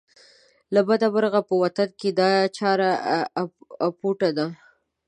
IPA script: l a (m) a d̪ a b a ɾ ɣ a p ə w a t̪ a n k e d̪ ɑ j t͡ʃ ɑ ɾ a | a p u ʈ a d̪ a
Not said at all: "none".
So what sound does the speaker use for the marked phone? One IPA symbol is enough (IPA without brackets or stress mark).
b